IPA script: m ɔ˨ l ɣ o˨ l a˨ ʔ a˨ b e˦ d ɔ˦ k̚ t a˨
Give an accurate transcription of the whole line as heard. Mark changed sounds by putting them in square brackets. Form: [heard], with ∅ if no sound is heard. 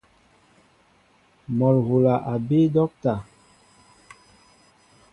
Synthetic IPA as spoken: m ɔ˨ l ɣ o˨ l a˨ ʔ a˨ b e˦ d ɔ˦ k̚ t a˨